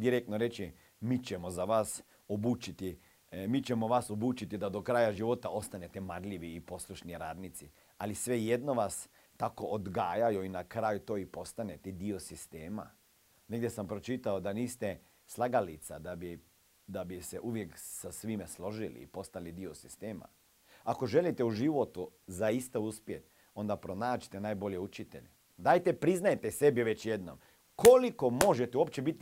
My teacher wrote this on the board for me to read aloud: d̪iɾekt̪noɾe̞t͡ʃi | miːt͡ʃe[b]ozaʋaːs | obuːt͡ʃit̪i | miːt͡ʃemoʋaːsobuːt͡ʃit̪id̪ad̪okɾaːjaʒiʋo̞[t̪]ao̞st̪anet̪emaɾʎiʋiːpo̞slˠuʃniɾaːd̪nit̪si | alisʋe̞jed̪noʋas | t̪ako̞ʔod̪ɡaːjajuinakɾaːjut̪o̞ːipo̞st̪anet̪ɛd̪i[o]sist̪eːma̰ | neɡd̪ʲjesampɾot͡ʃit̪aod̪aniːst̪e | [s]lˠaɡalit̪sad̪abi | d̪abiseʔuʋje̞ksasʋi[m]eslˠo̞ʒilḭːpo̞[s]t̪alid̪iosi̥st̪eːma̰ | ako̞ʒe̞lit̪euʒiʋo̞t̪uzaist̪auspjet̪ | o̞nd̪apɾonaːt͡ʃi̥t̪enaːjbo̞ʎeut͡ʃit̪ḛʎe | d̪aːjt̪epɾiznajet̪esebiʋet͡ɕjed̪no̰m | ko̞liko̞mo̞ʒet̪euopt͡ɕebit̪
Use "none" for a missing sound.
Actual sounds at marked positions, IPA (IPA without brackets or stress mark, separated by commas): m, t̪, o, s, m, s